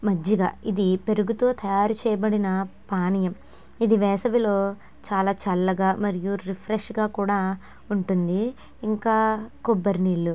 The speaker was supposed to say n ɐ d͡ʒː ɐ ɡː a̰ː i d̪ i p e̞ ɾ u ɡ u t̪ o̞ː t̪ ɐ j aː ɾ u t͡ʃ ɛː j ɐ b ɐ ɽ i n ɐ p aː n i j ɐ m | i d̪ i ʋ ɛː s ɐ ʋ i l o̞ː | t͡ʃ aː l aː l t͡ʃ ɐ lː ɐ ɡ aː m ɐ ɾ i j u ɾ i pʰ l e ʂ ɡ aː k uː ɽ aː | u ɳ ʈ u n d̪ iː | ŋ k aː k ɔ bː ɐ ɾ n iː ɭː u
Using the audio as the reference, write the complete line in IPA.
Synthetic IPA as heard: m ɐ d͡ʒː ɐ ɡ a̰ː i d̪ i p e̞ ɾ u ɡ u t̪ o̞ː t̪ ɐ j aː ɾ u t͡ʃ ɛː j ɐ b ɐ ɽ i n ɐ p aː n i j ɐ m | i d̪ i ʋ ɛː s ɐ ʋ i l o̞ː | t͡ʃ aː l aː t͡ʃ ɐ lː ɐ ɡ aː m ɐ ɾ i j u ɾ i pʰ ɾ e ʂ ɡ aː k uː ɽ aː | u ɳ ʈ u n d̪ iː | ŋ k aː k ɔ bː ɐ ɾ n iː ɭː u